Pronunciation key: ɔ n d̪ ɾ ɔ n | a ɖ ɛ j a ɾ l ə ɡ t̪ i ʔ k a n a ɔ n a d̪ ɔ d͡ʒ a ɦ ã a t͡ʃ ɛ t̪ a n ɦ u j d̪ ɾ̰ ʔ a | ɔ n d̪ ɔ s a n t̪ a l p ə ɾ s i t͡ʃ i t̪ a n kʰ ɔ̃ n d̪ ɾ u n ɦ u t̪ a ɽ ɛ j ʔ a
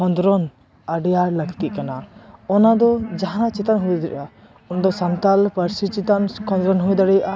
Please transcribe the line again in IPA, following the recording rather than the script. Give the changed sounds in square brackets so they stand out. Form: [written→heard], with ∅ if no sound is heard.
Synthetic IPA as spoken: ɔ n d̪ ɾ ɔ n | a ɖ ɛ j a ɾ l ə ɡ t̪ i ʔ k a n a ɔ n a d̪ ɔ d͡ʒ a ɦ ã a t͡ʃ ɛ t̪ a n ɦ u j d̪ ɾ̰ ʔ a | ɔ n d̪ ɔ s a n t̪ a l p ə ɾ s i t͡ʃ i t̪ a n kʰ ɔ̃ n d̪ ɾ [u→ɔ] n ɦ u [t̪→d̪] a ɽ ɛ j ʔ a